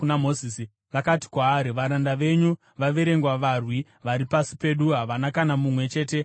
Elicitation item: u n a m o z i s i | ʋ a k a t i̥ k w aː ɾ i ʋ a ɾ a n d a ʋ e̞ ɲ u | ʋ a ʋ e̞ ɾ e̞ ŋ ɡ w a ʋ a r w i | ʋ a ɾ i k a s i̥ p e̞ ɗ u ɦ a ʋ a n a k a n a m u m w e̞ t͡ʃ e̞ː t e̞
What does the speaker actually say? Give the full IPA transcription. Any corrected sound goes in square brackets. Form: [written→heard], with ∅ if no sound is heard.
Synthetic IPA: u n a m o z i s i | ʋ a k a t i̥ k w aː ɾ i ʋ a ɾ a n d a ʋ e̞ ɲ u | ʋ a ʋ e̞ ɾ e̞ ŋ ɡ w a ʋ a r w i | ʋ a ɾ i [k→p] a s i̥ p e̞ ɗ u ɦ a ʋ a n a k a n a m u m w e̞ t͡ʃ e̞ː t e̞

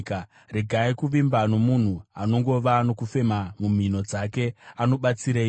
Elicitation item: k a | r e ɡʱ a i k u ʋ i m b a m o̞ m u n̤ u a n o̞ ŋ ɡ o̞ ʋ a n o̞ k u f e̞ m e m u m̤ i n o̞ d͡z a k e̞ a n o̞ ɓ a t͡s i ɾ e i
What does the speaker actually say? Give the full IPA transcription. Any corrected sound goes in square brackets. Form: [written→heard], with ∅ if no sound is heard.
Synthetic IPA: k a | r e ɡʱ a i k u ʋ i m b a [m→n] o̞ m u n̤ u a n o̞ ŋ ɡ o̞ ʋ a n o̞ k u f e̞ m [e→a] m u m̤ i n o̞ d͡z a k e̞ a n o̞ ɓ a t͡s i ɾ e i

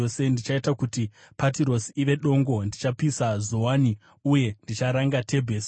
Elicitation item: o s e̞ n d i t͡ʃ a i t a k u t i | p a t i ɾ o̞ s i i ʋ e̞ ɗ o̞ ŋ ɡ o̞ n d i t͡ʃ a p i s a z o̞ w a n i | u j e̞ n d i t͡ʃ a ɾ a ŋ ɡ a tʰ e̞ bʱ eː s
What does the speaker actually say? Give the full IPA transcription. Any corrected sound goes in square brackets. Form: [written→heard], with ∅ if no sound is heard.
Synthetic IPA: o s e̞ n d i t͡ʃ a i t a k u t i | p a t i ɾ o̞ s i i ʋ e̞ ɗ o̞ ŋ ɡ o̞ n d i t͡ʃ a p i s a z o̞ w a n i | u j e̞ n d i t͡ʃ a ɾ a ŋ ɡ a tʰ e̞ bʱ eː s

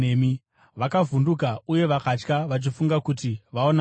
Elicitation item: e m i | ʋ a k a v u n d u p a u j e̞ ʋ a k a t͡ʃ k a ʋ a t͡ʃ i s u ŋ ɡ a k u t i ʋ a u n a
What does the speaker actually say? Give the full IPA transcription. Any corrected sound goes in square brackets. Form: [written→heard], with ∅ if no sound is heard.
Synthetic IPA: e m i | ʋ a k a v u n d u [p→k] a u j e̞ ʋ a k a t͡ʃ k a ʋ a t͡ʃ i [s→f] u ŋ ɡ a k u t i ʋ a [u→o] n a

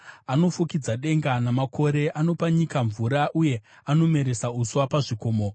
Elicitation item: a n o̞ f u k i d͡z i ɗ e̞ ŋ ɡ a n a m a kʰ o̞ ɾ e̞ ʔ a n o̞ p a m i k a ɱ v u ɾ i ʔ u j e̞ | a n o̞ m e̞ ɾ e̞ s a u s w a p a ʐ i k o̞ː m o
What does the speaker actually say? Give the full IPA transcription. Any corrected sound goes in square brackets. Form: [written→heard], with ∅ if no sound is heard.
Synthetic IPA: a n o̞ f u k i d͡z [i→a] ɗ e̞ ŋ ɡ a n a m a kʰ o̞ ɾ e̞ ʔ a n o̞ p a [m→ɲ] i k a ɱ v u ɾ [i→a] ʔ u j e̞ | a n o̞ m e̞ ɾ e̞ s a u s w a p a ʐ i k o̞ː m o

